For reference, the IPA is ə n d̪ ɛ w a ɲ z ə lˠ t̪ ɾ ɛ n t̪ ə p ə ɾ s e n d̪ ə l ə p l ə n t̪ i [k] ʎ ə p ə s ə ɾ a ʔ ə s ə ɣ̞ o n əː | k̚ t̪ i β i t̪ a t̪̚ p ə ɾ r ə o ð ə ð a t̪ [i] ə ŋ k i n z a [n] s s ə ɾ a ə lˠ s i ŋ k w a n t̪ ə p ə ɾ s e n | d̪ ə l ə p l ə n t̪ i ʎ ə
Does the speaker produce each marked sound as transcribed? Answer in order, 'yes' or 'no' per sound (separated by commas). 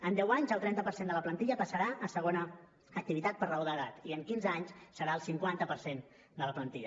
no, yes, no